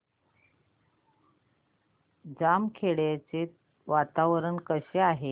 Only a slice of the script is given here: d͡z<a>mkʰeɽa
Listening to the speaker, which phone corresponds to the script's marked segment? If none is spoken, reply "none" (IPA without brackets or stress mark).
a